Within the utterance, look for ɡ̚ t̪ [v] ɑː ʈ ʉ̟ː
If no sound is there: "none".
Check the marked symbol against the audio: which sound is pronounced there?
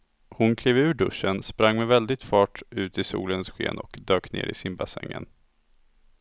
f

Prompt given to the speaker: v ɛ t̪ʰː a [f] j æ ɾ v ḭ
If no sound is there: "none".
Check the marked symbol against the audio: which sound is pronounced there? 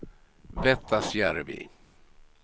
s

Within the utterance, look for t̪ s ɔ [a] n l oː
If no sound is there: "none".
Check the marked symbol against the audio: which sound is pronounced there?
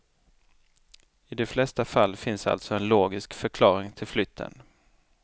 ɛ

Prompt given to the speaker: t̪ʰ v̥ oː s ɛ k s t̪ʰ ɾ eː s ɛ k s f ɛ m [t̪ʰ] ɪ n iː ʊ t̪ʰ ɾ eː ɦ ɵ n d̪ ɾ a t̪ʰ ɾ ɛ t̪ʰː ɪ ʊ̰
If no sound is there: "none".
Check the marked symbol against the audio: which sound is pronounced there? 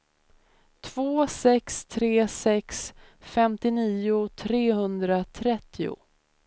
t̪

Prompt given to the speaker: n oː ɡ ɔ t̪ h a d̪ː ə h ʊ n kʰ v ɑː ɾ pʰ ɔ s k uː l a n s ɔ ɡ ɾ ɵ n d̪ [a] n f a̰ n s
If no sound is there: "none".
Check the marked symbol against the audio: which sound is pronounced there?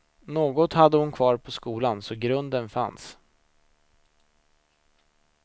ə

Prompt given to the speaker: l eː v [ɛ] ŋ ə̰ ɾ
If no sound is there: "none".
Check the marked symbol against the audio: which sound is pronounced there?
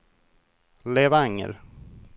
a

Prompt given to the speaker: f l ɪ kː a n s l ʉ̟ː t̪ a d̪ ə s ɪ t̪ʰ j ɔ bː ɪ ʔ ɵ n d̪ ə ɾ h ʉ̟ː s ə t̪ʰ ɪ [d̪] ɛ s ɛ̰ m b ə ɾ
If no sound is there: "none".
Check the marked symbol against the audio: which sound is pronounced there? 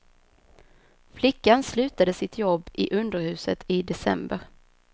d̪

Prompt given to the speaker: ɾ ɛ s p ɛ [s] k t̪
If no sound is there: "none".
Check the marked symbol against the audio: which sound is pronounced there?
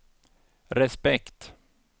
none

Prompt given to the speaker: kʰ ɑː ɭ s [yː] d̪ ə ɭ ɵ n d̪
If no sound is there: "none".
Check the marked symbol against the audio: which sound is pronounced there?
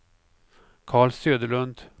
øː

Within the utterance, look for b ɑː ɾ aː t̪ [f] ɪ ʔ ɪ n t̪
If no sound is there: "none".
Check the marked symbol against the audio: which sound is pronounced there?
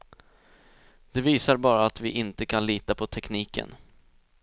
v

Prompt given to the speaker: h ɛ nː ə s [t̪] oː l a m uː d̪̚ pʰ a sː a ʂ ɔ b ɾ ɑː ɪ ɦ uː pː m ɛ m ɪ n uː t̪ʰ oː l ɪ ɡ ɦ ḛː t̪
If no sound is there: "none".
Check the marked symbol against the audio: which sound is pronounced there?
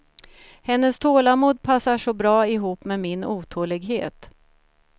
t̪ʰ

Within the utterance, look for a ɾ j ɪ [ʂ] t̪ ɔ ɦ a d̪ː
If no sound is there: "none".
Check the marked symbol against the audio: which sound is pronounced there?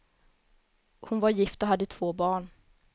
f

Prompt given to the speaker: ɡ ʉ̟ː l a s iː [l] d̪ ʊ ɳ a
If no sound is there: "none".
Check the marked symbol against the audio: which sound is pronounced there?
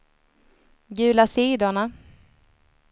none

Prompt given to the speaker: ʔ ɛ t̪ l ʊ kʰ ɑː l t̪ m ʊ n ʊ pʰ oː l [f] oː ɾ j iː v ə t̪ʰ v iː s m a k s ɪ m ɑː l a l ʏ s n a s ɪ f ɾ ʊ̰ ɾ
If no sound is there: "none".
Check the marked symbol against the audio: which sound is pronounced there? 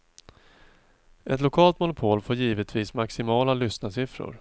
f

